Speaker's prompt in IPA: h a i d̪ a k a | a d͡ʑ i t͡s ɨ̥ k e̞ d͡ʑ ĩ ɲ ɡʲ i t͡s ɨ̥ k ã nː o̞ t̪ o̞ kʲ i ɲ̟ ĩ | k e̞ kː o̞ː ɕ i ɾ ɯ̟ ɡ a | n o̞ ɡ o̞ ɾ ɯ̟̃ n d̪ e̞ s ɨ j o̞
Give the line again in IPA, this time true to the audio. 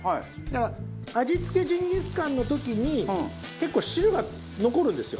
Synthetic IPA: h a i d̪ a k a | a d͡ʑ i t͡s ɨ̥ k e̞ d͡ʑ ĩ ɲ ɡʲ i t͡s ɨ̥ k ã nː o̞ t̪ o̞ kʲ i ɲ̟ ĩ | k e̞ kː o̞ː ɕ i ɾ ɯ̟ ɡ a | n o̞ k o̞ ɾ ɯ̟̃ n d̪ e̞ s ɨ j o̞